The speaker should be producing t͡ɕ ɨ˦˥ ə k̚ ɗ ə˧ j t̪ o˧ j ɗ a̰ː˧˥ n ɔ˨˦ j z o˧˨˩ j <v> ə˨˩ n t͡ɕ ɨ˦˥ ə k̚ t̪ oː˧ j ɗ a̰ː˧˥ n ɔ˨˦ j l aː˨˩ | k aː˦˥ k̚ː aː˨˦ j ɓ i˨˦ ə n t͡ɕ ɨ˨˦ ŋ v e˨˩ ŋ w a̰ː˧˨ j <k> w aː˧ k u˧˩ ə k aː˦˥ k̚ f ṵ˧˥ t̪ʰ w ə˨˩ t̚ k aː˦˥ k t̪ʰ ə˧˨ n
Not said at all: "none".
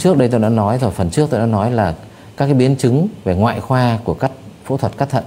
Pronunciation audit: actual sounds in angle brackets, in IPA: f, x

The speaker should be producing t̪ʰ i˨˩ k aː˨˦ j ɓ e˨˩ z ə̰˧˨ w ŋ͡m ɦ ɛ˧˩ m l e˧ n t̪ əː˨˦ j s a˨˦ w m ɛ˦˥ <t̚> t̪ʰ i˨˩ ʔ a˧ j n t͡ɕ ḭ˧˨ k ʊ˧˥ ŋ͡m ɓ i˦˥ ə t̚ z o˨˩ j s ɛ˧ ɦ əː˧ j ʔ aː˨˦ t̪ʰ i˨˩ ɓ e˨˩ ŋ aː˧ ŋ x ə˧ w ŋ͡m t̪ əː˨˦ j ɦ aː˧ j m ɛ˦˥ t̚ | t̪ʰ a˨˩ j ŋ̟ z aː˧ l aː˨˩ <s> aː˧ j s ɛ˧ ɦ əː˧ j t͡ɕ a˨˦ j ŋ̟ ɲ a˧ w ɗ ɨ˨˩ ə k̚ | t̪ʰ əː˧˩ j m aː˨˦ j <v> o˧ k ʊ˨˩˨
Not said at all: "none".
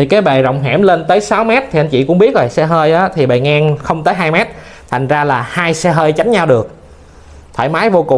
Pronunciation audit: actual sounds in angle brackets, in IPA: t̚, h, v

